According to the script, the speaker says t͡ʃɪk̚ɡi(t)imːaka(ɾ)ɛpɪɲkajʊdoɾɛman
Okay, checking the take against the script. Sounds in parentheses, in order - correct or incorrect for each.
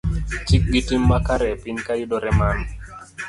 correct, correct

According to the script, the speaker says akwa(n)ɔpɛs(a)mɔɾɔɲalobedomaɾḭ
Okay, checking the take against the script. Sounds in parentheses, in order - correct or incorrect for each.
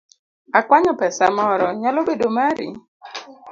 incorrect: ɲ, correct

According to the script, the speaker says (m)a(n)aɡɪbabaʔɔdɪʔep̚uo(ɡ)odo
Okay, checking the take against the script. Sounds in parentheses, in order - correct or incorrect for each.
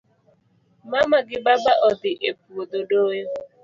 correct, incorrect: m, incorrect: d

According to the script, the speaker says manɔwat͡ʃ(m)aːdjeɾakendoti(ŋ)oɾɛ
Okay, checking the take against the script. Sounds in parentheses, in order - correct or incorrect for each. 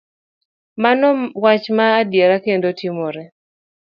correct, incorrect: m

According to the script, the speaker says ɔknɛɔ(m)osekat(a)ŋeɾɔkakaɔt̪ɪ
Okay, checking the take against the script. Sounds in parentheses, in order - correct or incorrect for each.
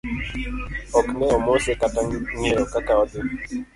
correct, correct

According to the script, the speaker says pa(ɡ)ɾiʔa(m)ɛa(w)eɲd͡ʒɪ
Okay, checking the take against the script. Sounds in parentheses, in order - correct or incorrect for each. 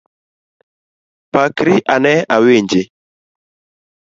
incorrect: k, incorrect: n, correct

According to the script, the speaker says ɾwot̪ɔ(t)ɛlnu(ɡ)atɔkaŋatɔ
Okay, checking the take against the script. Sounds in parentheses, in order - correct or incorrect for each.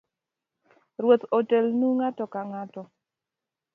correct, incorrect: ŋ

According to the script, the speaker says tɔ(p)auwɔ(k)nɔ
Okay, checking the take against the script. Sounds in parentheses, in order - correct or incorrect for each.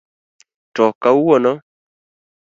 incorrect: k, incorrect: none

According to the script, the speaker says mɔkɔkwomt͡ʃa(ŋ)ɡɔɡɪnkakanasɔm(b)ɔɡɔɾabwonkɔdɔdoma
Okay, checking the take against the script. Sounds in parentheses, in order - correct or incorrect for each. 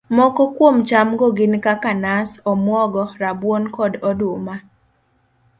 incorrect: m, incorrect: w

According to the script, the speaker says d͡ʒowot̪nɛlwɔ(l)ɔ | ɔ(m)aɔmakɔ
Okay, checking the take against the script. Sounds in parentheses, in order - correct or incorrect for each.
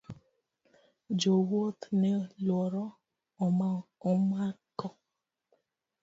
incorrect: ɾ, correct

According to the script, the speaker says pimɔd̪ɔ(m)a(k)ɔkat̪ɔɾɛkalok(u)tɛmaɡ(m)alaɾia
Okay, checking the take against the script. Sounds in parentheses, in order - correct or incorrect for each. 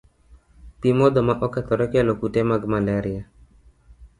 correct, incorrect: ʔ, correct, correct

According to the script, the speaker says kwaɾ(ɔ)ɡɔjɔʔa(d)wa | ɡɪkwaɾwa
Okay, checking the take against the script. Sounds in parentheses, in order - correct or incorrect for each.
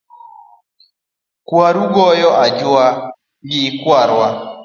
incorrect: u, incorrect: d͡ʒ

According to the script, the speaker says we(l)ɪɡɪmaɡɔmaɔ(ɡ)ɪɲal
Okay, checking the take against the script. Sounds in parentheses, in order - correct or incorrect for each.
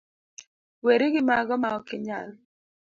incorrect: ɾ, incorrect: k

